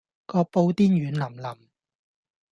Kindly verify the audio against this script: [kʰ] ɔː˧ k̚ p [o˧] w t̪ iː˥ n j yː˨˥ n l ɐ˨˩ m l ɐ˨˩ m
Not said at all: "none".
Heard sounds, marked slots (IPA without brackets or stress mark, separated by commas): k, o˧